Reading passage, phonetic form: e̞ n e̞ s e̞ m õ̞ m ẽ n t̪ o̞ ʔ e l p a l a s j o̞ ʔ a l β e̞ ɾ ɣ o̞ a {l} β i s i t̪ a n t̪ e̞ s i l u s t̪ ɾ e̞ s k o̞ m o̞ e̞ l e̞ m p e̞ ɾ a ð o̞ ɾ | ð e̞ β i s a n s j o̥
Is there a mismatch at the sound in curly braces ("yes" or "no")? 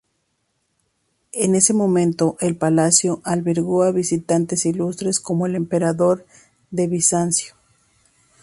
yes